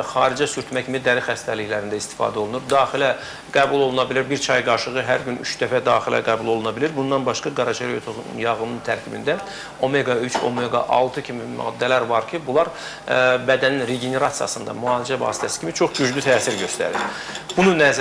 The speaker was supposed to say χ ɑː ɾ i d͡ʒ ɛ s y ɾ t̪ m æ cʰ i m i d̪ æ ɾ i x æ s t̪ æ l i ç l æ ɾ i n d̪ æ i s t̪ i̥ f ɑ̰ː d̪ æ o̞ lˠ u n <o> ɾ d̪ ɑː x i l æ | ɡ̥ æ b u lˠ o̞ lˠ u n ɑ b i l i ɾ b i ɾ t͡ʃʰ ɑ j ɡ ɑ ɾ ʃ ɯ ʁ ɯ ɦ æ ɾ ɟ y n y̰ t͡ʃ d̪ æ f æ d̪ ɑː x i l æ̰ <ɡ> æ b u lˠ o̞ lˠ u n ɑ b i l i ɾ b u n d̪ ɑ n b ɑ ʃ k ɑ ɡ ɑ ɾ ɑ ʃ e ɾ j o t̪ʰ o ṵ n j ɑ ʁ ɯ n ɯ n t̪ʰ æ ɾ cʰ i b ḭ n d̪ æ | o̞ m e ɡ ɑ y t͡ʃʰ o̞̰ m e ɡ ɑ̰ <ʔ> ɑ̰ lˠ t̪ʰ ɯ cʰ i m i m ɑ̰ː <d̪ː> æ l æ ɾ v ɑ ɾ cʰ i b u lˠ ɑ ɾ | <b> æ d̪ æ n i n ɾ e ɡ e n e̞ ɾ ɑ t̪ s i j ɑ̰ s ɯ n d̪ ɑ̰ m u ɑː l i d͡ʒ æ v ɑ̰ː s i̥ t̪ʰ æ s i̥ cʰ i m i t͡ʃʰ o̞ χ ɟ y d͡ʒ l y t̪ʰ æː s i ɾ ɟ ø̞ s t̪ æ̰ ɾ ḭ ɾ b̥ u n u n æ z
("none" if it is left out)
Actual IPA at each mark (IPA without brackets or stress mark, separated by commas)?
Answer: u, ɡ, ʔ, d̪ː, b